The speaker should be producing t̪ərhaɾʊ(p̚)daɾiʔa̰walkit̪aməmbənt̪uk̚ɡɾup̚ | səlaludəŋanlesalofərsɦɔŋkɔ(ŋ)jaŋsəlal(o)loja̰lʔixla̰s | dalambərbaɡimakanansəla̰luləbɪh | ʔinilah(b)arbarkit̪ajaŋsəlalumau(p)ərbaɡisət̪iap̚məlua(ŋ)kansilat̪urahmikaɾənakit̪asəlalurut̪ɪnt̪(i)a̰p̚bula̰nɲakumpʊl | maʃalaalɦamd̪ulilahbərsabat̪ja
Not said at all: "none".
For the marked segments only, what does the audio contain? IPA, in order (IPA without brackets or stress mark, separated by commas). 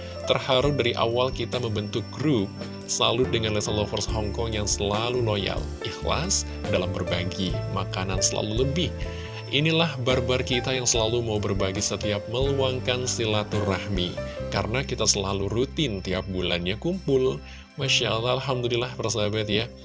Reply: p̚, ŋ, u, b, b, ŋ, i